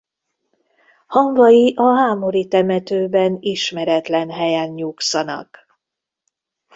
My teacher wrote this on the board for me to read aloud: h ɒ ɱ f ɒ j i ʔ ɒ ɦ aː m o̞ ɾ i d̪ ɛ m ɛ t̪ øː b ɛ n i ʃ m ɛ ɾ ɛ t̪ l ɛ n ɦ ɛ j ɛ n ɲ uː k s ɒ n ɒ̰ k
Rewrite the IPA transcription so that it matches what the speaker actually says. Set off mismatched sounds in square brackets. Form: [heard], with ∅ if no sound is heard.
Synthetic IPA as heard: h ɒ ɱ [v] ɒ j i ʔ ɒ ɦ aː m o̞ ɾ i [t̪] ɛ m ɛ t̪ øː b ɛ n i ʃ m ɛ ɾ ɛ t̪ l ɛ n ɦ ɛ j ɛ n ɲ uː k s ɒ n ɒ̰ k